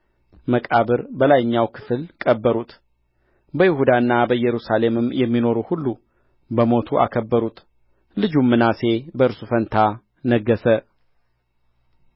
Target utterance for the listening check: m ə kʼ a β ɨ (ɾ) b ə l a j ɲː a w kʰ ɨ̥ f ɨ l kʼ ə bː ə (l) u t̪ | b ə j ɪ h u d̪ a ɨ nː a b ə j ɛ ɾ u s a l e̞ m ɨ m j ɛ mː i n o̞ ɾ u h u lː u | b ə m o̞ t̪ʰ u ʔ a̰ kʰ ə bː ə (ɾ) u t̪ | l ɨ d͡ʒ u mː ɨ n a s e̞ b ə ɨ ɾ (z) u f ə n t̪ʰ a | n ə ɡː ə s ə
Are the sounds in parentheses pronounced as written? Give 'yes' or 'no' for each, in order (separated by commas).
yes, no, yes, no